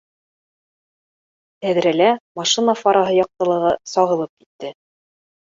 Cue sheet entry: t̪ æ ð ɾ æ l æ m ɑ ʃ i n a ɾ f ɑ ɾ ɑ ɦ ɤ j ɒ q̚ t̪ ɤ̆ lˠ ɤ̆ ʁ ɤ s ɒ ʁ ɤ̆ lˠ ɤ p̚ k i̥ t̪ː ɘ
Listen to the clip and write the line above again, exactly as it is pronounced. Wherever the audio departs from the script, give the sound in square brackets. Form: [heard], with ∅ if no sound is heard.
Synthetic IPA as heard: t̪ æ ð ɾ æ l æ m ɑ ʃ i n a [∅] f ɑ ɾ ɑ ɦ ɤ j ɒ q̚ t̪ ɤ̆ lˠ ɤ̆ ʁ ɤ s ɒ ʁ ɤ̆ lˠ ɤ p̚ k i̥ t̪ː ɘ